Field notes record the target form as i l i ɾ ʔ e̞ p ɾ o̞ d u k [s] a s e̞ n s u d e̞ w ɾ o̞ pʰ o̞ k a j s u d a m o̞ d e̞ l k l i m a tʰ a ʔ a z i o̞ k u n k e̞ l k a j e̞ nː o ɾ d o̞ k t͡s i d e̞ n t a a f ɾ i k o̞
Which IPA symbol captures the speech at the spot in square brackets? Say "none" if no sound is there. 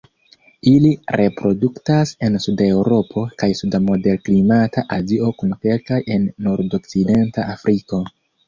t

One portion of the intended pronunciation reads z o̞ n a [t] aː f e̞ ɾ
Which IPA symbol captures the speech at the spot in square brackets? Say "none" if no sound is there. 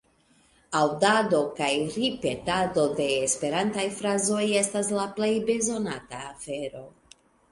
t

